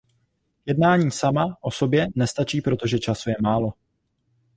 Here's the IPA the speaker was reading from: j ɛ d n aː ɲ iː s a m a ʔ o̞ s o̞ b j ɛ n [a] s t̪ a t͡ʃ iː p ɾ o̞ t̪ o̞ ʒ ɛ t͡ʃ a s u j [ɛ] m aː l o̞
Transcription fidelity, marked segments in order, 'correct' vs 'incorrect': incorrect: ɛ, correct

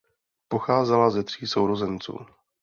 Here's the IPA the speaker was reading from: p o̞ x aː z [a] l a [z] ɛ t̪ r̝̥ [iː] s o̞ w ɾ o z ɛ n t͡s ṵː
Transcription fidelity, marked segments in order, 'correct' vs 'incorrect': incorrect: ɛ, correct, correct

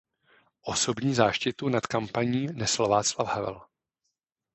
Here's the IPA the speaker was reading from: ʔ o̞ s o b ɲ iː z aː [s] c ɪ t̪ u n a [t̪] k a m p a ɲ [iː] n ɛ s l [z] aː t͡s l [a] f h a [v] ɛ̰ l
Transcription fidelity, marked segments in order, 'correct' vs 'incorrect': incorrect: ʃ, correct, correct, incorrect: v, correct, correct

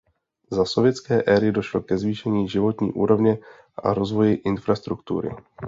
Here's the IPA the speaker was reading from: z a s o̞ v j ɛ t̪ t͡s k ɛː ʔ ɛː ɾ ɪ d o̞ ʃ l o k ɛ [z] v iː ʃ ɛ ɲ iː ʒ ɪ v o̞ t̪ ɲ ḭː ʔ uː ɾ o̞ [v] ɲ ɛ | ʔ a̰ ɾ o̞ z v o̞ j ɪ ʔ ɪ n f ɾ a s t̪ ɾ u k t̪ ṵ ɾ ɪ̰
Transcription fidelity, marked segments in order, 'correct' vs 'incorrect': correct, correct

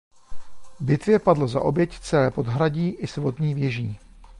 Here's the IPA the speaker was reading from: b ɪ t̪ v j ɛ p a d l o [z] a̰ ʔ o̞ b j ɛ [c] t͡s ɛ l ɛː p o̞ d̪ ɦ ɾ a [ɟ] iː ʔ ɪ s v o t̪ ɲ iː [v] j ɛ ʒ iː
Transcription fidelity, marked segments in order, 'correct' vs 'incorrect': correct, correct, correct, correct

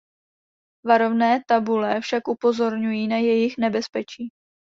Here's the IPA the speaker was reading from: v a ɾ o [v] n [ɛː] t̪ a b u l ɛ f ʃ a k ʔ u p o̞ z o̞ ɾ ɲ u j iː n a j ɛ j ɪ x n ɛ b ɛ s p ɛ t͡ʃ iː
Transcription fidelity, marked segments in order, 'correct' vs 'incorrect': correct, correct

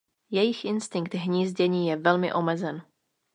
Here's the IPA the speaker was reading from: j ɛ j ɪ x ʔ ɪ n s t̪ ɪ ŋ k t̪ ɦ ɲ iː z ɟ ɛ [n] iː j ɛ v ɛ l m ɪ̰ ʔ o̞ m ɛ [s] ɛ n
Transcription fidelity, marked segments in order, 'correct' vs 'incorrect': incorrect: ɲ, incorrect: z

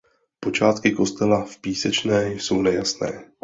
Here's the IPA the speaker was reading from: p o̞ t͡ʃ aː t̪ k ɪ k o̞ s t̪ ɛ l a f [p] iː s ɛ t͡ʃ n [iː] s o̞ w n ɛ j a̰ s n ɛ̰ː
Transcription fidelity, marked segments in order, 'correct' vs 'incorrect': correct, incorrect: ɛː

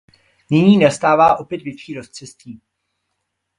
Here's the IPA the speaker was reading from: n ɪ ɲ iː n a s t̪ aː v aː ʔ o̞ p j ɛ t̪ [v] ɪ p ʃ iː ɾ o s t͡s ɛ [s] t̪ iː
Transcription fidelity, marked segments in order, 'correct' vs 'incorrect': correct, correct

